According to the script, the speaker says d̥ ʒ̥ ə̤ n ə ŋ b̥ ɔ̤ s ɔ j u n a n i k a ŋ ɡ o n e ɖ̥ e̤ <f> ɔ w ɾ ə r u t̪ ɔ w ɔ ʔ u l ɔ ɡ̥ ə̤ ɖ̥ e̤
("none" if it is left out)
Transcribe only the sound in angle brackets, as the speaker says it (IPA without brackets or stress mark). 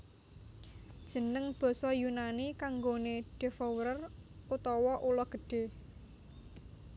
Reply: f